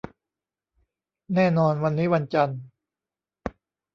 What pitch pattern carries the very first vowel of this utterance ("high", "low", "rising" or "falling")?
falling